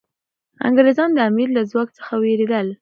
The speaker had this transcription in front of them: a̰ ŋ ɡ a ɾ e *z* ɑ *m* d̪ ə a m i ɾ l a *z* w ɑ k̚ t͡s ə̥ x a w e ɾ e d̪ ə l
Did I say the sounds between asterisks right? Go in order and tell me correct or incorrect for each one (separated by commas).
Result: correct, incorrect, correct